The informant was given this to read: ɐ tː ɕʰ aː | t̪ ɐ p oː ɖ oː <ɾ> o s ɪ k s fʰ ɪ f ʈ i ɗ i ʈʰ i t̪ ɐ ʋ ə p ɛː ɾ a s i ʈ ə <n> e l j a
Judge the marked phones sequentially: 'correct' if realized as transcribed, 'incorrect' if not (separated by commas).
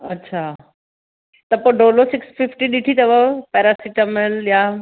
incorrect, incorrect